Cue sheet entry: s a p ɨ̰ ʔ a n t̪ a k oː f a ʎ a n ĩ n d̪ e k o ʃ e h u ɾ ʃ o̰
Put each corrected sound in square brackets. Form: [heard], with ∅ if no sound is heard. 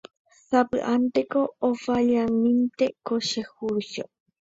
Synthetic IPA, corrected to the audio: s a p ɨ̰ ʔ a n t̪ [e] k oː f a ʎ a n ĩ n [t̪] e k o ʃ e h u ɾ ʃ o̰